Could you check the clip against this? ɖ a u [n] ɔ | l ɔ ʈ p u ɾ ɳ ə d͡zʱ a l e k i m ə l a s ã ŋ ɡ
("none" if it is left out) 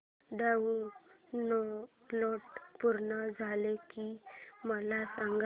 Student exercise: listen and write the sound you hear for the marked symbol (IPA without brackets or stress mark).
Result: n